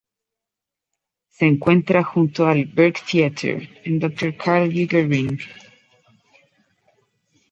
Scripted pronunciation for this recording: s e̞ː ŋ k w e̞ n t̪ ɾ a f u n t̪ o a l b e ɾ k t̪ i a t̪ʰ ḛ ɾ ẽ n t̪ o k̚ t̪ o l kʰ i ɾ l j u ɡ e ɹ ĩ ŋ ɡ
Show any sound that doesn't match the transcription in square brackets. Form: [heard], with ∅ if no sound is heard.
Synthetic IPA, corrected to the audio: s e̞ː ŋ k w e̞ n t̪ ɾ a [x] u n t̪ o a l b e ɾ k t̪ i a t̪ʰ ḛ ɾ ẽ n [d̪] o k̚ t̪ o [ɾ] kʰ [a] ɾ l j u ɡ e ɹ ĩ ŋ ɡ